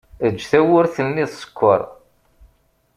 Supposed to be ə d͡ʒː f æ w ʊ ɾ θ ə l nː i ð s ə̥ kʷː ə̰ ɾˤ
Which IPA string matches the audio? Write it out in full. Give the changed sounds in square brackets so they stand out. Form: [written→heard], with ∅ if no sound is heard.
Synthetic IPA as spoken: ə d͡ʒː [f→θ] æ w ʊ ɾ θ ə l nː i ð s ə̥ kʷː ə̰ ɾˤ